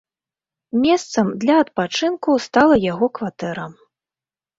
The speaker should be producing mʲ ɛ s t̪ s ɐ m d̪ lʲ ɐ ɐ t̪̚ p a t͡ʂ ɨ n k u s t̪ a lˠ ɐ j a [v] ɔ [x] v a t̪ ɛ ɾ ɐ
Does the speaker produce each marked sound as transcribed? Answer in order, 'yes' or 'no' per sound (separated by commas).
no, no